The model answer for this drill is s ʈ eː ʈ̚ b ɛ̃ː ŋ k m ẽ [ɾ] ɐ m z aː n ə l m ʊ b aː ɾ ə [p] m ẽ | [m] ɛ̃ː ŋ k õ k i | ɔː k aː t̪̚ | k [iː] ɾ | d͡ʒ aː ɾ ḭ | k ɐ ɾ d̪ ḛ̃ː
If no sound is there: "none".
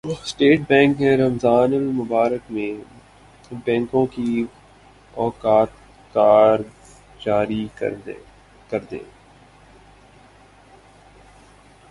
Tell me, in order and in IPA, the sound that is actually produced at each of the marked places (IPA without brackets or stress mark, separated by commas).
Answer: ɾ, k, b, aː